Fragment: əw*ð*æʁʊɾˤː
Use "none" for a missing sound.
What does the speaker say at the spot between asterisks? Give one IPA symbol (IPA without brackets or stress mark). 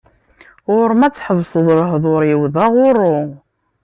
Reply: ð